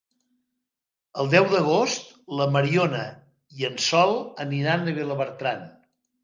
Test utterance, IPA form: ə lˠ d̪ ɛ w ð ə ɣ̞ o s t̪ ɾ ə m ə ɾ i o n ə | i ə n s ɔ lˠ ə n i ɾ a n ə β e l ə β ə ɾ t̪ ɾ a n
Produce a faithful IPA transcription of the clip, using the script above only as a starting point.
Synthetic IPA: ə lˠ d̪ ɛ w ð ə ɣ̞ o s t̪ l ə m ə ɾ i o n ə | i ə n s ɔ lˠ ə n i ɾ a n ə β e l ə β ə ɾ t̪ ɾ a n